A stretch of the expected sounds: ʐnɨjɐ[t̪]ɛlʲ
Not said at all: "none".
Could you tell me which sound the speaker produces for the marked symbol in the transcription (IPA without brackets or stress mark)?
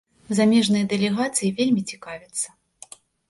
d̪